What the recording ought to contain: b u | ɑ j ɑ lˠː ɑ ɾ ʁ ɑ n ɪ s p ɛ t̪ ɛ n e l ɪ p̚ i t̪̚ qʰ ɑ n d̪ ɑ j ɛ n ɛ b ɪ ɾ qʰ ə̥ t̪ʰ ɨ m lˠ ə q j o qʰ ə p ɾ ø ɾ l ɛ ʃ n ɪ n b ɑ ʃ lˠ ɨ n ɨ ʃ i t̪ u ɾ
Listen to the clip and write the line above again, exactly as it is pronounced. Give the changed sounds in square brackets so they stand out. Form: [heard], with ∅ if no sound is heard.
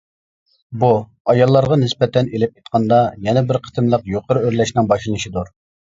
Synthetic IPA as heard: b u | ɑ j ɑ lˠː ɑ ɾ ʁ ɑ n ɪ s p ɛ t̪ ɛ n e l ɪ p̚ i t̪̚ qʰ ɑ n d̪ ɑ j ɛ n ɛ b ɪ ɾ qʰ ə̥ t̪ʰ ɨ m lˠ ə q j o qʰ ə [∅] ɾ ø ɾ l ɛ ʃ n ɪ [ŋ] b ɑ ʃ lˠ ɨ n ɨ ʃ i [d̪] u ɾ